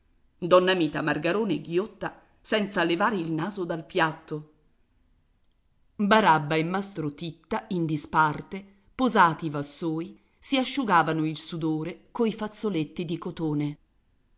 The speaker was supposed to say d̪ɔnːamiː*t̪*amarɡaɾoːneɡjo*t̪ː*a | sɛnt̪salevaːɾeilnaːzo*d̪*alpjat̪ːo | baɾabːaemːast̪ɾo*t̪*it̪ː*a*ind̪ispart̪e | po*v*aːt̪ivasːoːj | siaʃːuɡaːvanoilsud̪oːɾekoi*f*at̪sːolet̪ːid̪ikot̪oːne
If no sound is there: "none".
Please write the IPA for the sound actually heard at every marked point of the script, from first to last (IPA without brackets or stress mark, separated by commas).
t̪, t̪ː, d̪, t̪, a, z, f